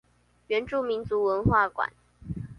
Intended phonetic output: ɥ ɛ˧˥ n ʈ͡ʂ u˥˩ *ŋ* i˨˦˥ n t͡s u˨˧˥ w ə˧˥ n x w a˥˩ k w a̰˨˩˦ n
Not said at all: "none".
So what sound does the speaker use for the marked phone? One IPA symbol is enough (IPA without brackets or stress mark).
m